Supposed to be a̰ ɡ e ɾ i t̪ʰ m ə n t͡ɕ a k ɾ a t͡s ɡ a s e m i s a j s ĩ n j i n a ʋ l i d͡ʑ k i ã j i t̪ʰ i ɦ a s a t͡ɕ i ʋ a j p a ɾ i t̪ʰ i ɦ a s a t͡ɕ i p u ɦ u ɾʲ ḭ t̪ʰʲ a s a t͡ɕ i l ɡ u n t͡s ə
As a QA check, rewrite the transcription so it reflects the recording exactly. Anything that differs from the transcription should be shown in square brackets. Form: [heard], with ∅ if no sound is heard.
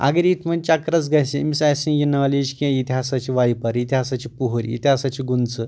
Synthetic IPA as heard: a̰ ɡ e ɾ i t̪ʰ m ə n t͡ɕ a k ɾ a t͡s ɡ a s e m i s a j s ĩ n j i n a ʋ l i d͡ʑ k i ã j i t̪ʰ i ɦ a s a t͡ɕ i ʋ a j p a ɾ i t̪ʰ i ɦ a s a t͡ɕ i p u ɦ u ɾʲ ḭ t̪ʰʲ a s a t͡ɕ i [∅] ɡ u n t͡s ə